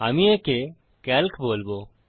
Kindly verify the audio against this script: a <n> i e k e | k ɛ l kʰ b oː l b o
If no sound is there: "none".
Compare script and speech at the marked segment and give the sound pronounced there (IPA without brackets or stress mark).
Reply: m